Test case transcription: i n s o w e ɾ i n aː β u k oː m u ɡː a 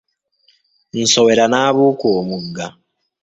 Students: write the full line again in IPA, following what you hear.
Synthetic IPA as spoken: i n s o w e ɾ a n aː β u k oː m u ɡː a